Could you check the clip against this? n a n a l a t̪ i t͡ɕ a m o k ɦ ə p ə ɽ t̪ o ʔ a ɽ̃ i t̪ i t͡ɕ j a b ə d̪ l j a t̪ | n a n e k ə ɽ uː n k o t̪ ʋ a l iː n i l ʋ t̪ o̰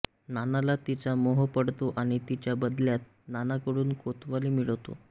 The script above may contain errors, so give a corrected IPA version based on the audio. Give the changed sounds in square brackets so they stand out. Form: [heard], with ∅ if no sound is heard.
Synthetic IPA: n a n a l a t̪ i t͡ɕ a m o [∅] ɦ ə p ə ɽ t̪ o ʔ a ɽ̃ i t̪ i t͡ɕ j a b ə d̪ l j a t̪ | n a n [a] k ə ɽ uː n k o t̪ ʋ a l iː [m] i [ɭ] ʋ t̪ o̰